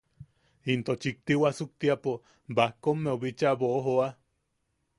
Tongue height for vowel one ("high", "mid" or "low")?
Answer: high